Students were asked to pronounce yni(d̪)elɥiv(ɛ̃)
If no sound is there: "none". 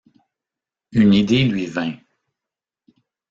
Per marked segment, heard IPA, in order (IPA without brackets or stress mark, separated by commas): d̪, ɛ̃